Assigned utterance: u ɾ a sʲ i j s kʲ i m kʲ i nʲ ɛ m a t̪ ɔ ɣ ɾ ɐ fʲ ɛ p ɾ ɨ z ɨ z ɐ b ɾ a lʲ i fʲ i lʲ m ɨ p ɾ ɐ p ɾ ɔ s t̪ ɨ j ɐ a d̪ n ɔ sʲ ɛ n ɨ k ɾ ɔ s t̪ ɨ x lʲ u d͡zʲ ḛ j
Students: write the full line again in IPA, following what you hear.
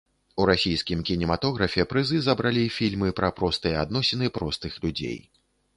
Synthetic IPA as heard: u ɾ a sʲ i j s kʲ i m kʲ i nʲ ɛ m a t̪ ɔ ɣ ɾ ɐ fʲ ɛ p ɾ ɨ z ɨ z ɐ b ɾ a lʲ i fʲ i lʲ m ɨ p ɾ ɐ p ɾ ɔ s t̪ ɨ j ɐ a d̪ n ɔ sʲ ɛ n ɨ p ɾ ɔ s t̪ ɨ x lʲ u d͡zʲ ḛ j